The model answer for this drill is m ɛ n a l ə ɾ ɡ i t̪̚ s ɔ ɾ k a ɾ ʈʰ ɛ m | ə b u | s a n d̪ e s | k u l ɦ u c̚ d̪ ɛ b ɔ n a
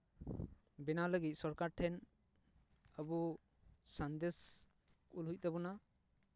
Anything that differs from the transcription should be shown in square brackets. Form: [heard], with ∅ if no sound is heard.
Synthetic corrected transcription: [b] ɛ n a l ə [∅] ɡ i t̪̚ s ɔ ɾ k a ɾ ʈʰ ɛ [n] | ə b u | s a n d̪ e s | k u l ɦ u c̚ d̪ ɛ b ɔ n a

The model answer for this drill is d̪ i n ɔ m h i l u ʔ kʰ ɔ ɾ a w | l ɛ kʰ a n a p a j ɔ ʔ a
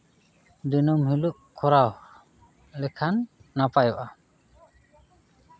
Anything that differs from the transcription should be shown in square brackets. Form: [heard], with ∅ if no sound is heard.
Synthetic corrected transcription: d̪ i n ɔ m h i l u ʔ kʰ ɔ ɾ a w | l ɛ kʰ a [nː] a p a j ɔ ʔ a

